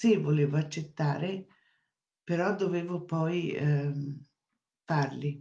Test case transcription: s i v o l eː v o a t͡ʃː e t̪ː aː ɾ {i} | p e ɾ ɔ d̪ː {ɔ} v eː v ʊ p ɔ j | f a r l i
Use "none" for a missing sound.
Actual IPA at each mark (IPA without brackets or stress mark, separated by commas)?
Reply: e, o